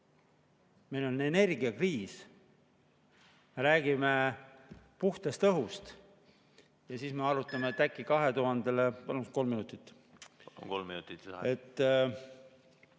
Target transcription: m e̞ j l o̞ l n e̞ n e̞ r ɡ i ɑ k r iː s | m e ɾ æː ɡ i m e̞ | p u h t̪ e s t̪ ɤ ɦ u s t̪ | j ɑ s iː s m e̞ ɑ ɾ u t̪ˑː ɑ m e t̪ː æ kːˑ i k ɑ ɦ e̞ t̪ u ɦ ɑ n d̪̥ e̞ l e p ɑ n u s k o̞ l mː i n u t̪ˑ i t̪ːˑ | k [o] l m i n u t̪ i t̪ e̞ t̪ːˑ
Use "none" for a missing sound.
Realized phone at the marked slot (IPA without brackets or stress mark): o